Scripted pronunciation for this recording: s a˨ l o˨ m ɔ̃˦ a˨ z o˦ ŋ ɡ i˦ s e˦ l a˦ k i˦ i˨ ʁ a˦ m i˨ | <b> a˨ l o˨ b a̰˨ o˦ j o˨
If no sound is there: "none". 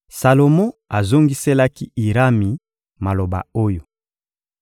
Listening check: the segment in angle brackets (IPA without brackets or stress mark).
m